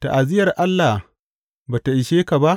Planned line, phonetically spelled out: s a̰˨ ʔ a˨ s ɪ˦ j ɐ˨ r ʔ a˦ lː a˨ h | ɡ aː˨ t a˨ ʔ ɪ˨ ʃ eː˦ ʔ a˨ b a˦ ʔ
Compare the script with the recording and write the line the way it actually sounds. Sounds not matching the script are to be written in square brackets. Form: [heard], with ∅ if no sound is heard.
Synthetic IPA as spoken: [t] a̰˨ ʔ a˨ [z] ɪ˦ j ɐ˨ r ʔ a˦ lː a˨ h | [b] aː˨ t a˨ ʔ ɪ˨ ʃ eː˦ [k] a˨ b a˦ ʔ

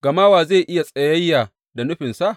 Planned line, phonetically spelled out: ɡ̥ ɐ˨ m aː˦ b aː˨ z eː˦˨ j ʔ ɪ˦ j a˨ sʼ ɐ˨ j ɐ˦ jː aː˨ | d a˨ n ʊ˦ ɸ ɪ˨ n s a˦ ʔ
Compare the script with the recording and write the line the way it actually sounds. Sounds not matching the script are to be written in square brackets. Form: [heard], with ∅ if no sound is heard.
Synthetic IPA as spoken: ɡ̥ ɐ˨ m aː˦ [w] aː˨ z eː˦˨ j ʔ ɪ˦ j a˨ sʼ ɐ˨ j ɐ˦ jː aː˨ | d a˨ n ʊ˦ ɸ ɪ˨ n s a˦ ʔ

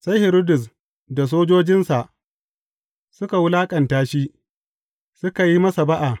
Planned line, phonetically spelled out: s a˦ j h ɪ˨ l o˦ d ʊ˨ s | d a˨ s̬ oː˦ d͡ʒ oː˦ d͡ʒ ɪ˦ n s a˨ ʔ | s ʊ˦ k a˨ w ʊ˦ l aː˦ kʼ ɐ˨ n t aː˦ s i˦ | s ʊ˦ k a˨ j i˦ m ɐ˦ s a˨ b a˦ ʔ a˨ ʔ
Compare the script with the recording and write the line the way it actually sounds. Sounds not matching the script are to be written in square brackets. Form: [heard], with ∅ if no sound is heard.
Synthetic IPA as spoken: s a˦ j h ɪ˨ [ɾ] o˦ d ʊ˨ s | d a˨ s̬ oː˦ d͡ʒ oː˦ d͡ʒ ɪ˦ n s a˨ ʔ | s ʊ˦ k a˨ w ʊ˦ l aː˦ kʼ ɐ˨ n t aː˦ [ʃ] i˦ | s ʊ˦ k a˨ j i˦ m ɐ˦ s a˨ b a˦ ʔ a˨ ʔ

